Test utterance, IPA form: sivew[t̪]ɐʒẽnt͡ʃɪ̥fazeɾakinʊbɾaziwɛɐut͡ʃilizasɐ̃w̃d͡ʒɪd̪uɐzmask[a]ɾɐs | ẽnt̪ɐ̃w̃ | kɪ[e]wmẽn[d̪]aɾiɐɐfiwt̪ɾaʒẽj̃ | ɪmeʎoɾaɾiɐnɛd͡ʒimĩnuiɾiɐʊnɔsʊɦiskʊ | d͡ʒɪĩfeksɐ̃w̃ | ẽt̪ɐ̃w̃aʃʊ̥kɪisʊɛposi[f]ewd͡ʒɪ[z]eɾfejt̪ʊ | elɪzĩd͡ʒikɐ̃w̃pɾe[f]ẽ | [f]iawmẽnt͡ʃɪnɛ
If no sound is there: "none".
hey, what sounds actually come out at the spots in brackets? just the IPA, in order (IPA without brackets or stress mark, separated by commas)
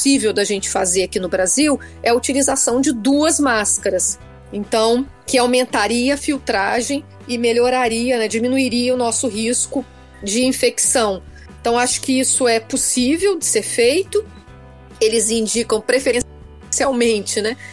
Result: d̪, ɐ, a, t̪, v, s, f, s